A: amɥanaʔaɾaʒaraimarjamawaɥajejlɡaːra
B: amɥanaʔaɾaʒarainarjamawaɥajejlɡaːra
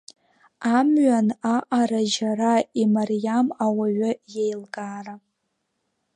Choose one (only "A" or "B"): A